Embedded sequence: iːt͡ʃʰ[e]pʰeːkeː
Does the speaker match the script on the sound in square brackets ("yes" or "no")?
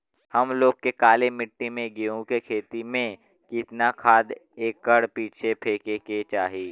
yes